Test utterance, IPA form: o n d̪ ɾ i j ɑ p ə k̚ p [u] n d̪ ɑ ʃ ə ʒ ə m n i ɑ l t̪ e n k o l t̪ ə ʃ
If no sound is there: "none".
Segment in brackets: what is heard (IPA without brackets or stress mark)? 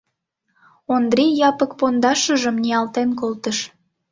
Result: o